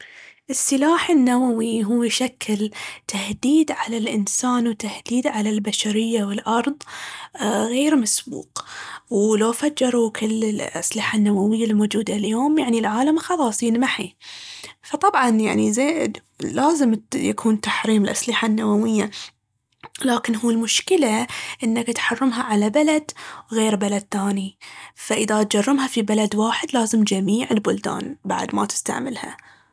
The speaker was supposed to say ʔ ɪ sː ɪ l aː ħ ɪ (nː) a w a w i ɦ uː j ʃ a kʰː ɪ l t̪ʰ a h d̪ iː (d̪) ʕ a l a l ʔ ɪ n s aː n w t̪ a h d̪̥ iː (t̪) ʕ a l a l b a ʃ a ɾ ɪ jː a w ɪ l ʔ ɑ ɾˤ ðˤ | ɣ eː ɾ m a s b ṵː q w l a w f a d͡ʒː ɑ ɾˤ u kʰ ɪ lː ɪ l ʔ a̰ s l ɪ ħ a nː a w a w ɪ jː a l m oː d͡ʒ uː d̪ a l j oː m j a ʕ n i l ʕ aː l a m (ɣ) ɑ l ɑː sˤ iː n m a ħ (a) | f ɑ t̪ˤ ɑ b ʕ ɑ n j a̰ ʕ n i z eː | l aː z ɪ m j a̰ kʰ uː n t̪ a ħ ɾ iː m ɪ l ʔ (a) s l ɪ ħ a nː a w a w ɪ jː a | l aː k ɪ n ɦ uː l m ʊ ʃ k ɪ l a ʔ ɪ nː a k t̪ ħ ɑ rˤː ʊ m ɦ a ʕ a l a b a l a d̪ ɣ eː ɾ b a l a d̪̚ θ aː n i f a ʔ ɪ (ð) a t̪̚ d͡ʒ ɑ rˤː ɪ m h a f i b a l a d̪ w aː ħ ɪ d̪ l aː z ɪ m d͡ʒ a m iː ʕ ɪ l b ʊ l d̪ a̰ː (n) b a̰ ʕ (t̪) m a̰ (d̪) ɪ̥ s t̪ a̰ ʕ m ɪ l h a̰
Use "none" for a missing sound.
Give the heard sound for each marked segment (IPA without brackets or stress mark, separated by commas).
nː, d̪, d̪, x, i, a, ð, n, d̪, t̪